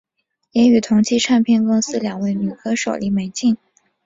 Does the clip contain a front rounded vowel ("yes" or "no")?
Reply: yes